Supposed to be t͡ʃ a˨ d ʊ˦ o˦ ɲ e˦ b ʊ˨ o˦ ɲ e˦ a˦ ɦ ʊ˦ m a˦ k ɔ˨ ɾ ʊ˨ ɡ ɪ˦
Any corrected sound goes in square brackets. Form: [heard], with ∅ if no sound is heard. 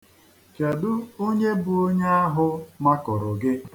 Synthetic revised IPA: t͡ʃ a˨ d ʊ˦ o˦ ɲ e˦ b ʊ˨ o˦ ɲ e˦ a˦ ɦ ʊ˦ m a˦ k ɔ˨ ɾ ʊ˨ ɡ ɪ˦